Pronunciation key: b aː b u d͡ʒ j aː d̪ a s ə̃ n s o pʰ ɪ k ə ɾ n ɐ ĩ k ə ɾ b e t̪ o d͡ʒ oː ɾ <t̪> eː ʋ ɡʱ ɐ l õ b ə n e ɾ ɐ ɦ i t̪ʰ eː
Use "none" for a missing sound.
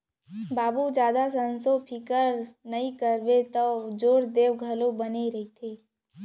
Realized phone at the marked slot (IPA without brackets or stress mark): d̪